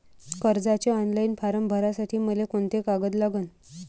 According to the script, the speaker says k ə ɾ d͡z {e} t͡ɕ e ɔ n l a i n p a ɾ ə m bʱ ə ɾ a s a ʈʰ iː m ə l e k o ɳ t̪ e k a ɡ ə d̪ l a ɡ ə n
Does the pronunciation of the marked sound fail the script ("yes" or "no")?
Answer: yes